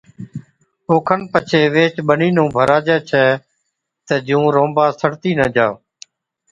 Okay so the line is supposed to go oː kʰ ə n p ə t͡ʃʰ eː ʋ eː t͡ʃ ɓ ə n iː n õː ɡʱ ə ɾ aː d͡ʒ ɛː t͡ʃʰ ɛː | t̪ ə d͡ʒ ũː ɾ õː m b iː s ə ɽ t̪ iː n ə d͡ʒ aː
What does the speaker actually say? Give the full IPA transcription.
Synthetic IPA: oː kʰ ə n p ə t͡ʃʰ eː ʋ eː t͡ʃ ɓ ə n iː n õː bʱ ə ɾ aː d͡ʒ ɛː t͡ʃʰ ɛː | t̪ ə d͡ʒ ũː ɾ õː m b aː s ə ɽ t̪ iː n ə d͡ʒ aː

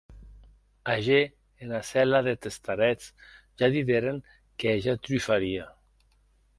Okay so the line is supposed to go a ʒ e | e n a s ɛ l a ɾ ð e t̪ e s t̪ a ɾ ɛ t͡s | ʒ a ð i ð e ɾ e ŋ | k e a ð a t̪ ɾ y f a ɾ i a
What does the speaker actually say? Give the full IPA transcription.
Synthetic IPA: a ʒ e | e n a s ɛ l a ð e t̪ e s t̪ a ɾ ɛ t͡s | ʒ a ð i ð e ɾ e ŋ | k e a ʒ a t̪ ɾ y f a ɾ i a

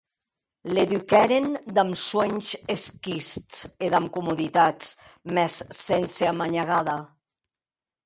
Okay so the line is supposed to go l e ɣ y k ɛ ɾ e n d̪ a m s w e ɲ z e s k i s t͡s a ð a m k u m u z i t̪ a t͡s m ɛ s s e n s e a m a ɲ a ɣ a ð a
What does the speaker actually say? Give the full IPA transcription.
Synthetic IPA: l e ð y k ɛ ɾ e n d̪ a m s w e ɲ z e s k i s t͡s e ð a m k u m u ð i t̪ a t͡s m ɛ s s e n s e a m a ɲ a ɣ a ð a

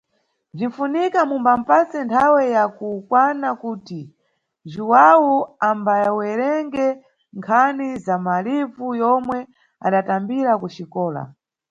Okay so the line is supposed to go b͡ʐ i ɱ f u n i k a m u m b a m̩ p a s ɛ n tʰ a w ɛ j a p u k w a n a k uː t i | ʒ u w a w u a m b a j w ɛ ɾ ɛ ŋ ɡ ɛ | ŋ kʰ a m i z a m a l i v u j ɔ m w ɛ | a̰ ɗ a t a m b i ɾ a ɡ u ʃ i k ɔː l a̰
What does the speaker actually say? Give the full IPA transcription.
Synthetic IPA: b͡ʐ i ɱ f u n i k a m u m b a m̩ p a s ɛ n tʰ a w ɛ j a k u k w a n a k uː t i | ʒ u w a w u a m b a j w ɛ ɾ ɛ ŋ ɡ ɛ | ŋ kʰ a n i z a m a l i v u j ɔ m w ɛ | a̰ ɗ a t a m b i ɾ a k u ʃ i k ɔː l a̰

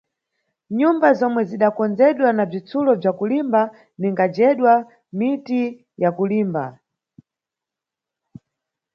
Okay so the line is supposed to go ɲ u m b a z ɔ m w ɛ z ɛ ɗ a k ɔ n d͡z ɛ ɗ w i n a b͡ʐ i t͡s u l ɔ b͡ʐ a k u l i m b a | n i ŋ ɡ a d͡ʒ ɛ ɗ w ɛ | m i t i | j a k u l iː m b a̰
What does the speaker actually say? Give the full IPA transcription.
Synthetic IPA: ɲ u m b a z ɔ m w ɛ z i ɗ a k ɔ n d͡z ɛ ɗ w a n a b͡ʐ i t͡s u l ɔ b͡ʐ a k u l i m b a | n i ŋ ɡ a d͡ʒ ɛ ɗ w a | m i t i | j a k u l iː m b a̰

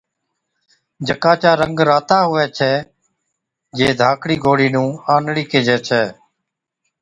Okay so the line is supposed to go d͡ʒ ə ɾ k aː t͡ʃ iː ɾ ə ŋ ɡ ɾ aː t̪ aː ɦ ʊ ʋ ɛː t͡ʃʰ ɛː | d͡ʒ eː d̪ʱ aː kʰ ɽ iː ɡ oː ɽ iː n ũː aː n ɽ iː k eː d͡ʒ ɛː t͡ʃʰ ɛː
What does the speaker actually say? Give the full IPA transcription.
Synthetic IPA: d͡ʒ ə k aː t͡ʃ aː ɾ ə ŋ ɡ ɾ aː t̪ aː ɦ ʊ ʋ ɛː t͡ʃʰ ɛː | d͡ʒ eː d̪ʱ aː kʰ ɽ iː ɡ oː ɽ iː n ũː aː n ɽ iː k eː d͡ʒ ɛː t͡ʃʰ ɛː

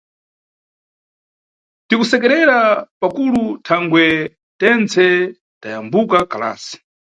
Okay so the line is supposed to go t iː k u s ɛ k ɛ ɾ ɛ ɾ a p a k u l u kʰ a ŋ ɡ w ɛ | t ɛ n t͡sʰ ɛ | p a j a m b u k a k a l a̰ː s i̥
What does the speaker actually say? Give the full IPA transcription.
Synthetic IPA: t i k u s ɛ k ɛ ɾ ɛ ɾ a p a k u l u tʰ a ŋ ɡ w ɛ | t ɛ n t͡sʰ ɛ | t a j a m b u k a k a l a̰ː s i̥

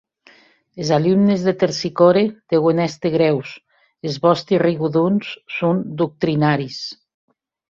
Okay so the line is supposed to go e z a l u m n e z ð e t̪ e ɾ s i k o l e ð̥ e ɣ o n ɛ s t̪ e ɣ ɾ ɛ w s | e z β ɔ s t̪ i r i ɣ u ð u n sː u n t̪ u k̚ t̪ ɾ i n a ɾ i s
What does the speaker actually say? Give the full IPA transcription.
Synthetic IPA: e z a l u m n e z ð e t̪ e ɾ s i k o ɾ e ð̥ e ɣ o n ɛ s t̪ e ɣ ɾ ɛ w s | e z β ɔ s t̪ i r i ɣ u ð u n sː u n d̪ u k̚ t̪ ɾ i n a ɾ i s

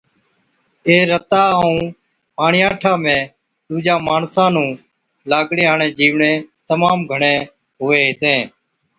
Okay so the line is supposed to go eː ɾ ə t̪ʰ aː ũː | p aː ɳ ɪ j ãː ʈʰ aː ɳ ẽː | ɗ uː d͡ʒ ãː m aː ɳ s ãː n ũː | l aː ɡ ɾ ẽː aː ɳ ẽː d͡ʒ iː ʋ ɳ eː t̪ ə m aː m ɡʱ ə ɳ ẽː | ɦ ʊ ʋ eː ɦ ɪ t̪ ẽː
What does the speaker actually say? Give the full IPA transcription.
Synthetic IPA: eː ɾ ə t̪ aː ũː | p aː ɳ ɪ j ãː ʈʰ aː m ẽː | ɗ uː d͡ʒ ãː m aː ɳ s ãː n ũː | l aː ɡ ɽ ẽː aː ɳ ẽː d͡ʒ iː ʋ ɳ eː t̪ ə m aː m ɡʱ ə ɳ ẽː | ɦ ʊ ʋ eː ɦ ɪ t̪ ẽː

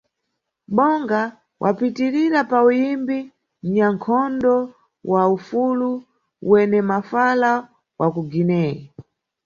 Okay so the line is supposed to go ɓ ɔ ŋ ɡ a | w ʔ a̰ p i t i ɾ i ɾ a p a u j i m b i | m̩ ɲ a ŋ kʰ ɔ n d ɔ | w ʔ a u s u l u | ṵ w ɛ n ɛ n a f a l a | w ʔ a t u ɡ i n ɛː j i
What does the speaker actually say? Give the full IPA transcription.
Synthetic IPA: ɓ ɔ ŋ ɡ a | w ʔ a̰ p i t i ɾ i ɾ a p a u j i m b i | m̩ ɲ a ŋ kʰ ɔ n d ɔ | w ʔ a u f u l u | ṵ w ɛ n ɛ m a f a l a | w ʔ a k u ɡ i n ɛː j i

